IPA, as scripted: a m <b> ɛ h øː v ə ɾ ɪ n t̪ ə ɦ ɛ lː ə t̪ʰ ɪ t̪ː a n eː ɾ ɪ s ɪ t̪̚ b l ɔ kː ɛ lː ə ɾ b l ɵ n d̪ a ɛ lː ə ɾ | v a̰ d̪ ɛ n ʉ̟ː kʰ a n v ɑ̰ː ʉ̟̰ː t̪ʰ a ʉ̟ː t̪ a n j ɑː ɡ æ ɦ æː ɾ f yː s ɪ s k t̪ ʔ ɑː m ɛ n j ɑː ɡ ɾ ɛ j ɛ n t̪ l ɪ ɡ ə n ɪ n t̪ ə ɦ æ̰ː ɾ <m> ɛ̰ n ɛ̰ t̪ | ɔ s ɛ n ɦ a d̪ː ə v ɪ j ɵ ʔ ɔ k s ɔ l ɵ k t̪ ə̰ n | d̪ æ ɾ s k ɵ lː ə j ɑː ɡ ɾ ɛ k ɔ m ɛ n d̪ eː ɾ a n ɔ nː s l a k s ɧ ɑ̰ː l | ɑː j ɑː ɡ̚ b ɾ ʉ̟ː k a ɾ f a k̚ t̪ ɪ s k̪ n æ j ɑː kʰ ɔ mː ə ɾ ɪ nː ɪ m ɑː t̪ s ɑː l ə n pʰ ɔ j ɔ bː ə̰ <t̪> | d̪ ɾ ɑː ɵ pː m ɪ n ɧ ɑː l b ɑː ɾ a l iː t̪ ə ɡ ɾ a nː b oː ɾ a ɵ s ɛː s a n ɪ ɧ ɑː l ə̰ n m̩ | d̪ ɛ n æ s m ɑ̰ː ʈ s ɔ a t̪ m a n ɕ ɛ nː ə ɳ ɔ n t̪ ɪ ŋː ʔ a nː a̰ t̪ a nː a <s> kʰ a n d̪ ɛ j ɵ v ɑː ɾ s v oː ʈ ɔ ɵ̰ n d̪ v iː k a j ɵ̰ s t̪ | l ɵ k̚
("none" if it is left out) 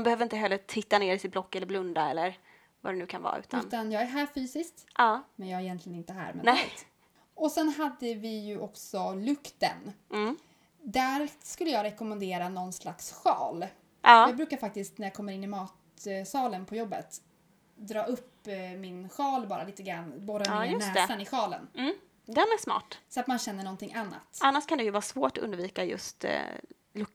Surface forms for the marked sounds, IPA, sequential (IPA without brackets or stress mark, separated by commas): b, m, t̪, ʂ